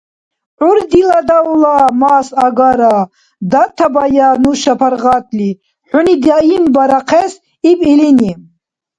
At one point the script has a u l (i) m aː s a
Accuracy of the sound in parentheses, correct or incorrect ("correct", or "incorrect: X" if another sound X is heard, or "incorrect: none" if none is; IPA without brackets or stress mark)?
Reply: incorrect: a